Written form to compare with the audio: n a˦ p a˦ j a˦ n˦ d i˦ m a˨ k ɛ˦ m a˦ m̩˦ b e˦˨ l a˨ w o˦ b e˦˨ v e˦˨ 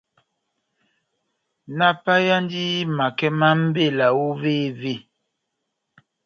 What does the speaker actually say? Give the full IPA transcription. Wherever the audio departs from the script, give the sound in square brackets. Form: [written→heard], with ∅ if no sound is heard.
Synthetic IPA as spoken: n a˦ p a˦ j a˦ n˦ d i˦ m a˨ k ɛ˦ m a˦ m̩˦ b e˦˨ l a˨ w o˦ [b→v] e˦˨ v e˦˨